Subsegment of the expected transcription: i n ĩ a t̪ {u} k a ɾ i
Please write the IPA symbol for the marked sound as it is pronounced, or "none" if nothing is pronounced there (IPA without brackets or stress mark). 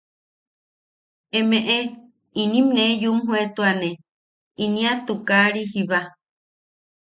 u